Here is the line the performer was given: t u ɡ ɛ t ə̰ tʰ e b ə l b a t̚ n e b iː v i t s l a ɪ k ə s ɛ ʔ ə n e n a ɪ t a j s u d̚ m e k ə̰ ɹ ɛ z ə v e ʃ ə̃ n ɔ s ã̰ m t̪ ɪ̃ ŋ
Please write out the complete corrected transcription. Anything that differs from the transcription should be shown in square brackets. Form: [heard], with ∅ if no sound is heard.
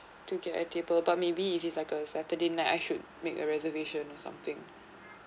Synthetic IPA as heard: t u ɡ ɛ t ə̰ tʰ e b ə l b a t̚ [m] e b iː [f] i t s l a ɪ k ə s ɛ [t] ə [d] e n a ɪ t a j [ʃ] u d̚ m e k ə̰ ɹ ɛ z ə v e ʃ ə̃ n ɔ s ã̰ m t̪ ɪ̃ ŋ